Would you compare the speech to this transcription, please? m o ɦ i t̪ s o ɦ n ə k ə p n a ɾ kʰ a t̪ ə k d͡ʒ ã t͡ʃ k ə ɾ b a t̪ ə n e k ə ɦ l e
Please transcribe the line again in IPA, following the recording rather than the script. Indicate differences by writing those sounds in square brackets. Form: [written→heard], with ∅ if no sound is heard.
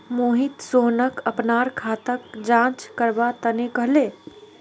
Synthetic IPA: m o ɦ i t̪ s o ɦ n ə k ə p n a ɾ kʰ a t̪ ə k d͡ʒ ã t͡ʃ k ə ɾ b a t̪ ə n e k ə ɦ l e